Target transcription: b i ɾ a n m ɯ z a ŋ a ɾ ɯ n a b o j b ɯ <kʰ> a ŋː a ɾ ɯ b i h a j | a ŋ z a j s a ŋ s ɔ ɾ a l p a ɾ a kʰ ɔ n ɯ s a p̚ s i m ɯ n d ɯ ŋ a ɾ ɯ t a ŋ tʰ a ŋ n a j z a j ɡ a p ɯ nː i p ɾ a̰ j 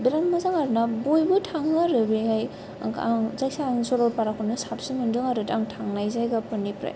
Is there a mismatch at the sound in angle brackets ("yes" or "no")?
yes